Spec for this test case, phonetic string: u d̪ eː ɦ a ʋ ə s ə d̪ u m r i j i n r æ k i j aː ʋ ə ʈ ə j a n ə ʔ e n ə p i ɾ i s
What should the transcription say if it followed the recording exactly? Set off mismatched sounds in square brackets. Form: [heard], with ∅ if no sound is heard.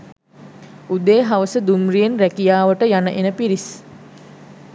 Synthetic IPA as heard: u d̪ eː ɦ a ʋ ə s ə d̪ u m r i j [e] n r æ k i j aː ʋ ə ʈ ə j a n ə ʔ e n ə p i ɾ i s